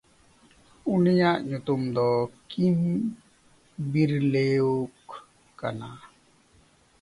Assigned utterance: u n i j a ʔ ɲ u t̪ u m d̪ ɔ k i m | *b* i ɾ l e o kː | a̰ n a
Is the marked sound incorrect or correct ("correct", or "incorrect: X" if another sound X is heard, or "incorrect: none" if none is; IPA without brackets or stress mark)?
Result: correct